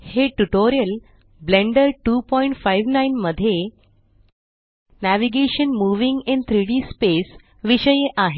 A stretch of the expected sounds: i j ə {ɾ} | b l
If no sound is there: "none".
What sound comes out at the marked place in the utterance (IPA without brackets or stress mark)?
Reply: l